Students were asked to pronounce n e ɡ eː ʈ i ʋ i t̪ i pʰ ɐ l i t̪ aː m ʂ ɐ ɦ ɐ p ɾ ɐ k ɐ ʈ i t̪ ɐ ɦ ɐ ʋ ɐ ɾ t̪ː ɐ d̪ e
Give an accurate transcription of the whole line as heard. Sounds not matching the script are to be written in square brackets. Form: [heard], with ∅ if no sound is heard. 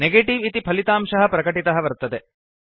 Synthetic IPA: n e ɡ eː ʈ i ʋ i t̪ i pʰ ɐ l i t̪ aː m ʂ ɐ ɦ ɐ p ɾ ɐ k ɐ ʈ i t̪ ɐ ɦ ɐ ʋ ɐ ɾ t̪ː ɐ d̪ e